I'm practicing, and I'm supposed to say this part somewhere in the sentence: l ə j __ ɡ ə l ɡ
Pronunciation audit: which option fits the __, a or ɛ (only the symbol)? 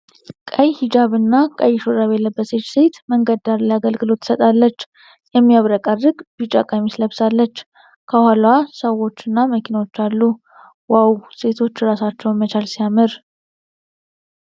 a